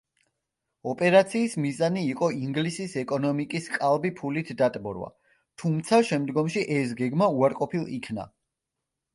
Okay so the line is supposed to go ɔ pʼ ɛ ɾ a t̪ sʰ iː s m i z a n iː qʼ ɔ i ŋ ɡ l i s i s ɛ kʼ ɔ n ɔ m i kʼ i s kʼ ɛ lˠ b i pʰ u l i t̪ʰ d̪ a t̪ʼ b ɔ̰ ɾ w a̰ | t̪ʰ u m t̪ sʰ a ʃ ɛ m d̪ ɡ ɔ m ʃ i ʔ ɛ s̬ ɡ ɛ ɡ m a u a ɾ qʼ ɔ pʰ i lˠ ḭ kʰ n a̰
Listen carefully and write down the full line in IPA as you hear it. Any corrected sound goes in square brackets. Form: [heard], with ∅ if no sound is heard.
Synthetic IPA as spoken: ɔ pʼ ɛ ɾ a t̪ sʰ iː s m i z a n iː qʼ ɔ i ŋ ɡ l i s i s ɛ kʼ ɔ n ɔ m i kʼ i s kʼ [a] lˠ b i pʰ u l i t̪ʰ d̪ a t̪ʼ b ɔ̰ ɾ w a̰ | t̪ʰ u m t̪ sʰ a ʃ ɛ m d̪ ɡ ɔ m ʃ i ʔ ɛ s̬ ɡ ɛ ɡ m a u a ɾ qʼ ɔ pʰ i lˠ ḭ kʰ n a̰